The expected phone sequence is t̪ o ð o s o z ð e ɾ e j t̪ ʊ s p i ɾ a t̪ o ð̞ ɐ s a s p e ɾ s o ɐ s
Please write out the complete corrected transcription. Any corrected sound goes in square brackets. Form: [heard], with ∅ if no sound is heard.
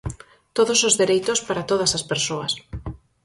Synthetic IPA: t̪ o ð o s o z ð e ɾ e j t̪ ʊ s p [a] ɾ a t̪ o ð̞ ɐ s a s p e ɾ s o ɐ s

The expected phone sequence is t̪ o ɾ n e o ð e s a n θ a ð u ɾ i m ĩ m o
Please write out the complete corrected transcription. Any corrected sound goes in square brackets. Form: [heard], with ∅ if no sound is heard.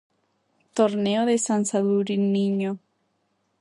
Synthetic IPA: t̪ o ɾ n e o ð e s a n [s] a ð u ɾ i [n] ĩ [ɲ] o

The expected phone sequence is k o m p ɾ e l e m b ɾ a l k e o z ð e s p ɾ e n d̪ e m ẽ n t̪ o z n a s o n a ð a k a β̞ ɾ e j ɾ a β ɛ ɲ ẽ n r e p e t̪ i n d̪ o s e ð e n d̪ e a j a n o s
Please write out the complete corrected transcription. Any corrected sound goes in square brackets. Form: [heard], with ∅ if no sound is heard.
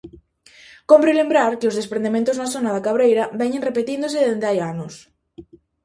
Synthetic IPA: k o m p ɾ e l e m b ɾ a [ɾ] k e o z ð e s p ɾ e n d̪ e m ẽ n t̪ o z n a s o n a ð a k a β̞ ɾ e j ɾ a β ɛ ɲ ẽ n r e p e t̪ i n d̪ o s e ð e n d̪ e a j a n o s

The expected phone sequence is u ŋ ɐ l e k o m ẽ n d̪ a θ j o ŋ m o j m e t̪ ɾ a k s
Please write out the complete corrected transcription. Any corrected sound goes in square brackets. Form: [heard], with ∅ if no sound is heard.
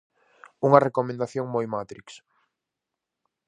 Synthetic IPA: u ŋ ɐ [r] e k o m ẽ n d̪ a θ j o ŋ m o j m [a] t̪ ɾ [i] k s

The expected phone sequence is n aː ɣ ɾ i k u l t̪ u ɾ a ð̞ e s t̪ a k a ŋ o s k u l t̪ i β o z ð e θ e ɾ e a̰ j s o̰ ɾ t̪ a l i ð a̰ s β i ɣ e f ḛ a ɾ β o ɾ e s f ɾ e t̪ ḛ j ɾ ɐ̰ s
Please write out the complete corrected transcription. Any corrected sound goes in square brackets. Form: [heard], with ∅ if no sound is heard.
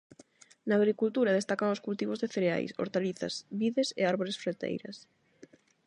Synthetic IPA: n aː ɣ ɾ i k u l t̪ u ɾ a ð̞ e s t̪ a k a ŋ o s k u l t̪ i β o z ð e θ e ɾ e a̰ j s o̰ ɾ t̪ a l i [θ] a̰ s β i [ð] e [s] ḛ a ɾ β o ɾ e s f ɾ e t̪ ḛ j ɾ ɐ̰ s

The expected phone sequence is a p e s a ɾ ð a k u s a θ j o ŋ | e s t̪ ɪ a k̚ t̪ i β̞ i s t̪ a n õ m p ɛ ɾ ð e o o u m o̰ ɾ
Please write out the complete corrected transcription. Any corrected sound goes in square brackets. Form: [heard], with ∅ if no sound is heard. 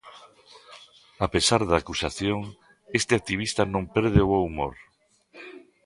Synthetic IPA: a p e s a ɾ ð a k u s a θ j o ŋ | e s t̪ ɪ a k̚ t̪ i β̞ i s t̪ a n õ m p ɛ ɾ ð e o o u m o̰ ɾ

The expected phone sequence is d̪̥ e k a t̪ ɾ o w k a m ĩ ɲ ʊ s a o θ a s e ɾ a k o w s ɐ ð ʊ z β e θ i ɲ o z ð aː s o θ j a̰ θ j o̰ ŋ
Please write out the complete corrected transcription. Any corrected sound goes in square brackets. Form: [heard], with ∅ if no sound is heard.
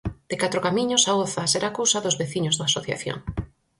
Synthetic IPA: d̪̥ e k a t̪ ɾ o [∅] k a m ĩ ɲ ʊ s a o θ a s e ɾ a k o w s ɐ ð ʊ z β e θ i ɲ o z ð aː s o θ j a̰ θ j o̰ ŋ

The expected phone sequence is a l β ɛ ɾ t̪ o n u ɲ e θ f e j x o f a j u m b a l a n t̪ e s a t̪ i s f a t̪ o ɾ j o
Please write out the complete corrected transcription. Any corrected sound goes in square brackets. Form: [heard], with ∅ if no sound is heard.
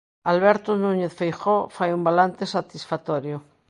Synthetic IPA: a l β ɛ ɾ t̪ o n u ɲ e θ f e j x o f a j u m b a l a n t̪ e s a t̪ i s f a t̪ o ɾ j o

